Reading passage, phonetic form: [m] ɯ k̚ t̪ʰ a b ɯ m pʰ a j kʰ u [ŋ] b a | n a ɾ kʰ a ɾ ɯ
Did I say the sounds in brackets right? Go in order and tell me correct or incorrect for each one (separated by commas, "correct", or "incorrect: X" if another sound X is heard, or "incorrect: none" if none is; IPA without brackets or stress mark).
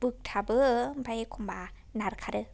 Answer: incorrect: b, incorrect: m